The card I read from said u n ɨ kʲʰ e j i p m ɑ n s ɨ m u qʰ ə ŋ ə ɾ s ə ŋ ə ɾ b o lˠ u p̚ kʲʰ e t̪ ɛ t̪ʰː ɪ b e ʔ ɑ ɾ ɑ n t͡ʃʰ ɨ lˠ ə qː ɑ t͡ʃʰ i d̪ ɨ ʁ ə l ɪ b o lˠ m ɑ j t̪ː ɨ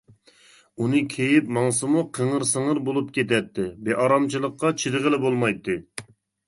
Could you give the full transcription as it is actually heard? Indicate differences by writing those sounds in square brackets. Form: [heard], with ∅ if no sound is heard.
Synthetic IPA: u n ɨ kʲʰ e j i p m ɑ [ŋ] s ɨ m u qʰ ə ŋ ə ɾ s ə ŋ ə ɾ b o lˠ u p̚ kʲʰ e t̪ ɛ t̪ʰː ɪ b e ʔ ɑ ɾ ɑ [m] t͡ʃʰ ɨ lˠ ə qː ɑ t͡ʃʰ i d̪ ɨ ʁ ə l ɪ b o lˠ m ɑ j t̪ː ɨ